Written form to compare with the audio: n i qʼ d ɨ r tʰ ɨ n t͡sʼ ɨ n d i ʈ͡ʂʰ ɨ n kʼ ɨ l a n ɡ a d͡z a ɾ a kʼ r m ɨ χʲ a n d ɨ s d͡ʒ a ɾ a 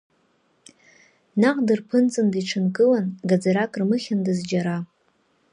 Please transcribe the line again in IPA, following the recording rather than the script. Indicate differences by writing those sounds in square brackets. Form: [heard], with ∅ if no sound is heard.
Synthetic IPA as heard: n [a] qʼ d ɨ r [pʰ] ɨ n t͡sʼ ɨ n d i ʈ͡ʂʰ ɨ n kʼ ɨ l a n ɡ a d͡z a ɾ a kʼ r m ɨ χʲ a n d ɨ [z] d͡ʒ a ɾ a